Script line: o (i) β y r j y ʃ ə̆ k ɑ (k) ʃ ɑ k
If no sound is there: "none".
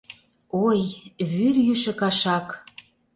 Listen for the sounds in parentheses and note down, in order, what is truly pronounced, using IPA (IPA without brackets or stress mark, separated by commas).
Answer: j, none